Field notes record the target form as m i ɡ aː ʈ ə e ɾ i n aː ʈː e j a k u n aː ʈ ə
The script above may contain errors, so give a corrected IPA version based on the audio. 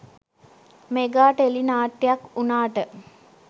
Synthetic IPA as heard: m e ɡ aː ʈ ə e l i n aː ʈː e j a k u n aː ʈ ə